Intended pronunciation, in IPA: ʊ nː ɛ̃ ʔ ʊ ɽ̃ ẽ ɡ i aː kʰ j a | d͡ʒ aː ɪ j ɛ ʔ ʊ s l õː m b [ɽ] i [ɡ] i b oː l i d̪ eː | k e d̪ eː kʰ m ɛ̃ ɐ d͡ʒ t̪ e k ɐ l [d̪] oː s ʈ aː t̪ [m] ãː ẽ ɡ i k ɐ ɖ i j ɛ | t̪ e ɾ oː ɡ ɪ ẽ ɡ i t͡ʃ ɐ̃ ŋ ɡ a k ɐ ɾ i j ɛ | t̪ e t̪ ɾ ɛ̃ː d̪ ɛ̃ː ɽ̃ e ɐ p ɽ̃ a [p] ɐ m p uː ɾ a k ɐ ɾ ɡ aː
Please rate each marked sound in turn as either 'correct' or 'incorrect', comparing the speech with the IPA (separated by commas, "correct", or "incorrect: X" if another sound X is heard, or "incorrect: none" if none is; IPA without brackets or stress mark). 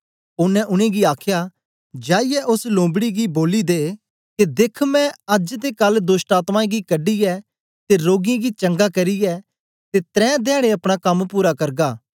correct, correct, correct, correct, incorrect: k